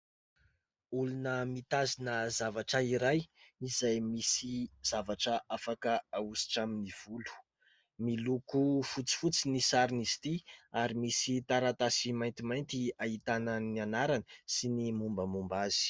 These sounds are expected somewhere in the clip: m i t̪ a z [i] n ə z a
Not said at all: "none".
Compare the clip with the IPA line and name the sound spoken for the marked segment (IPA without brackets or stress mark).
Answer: i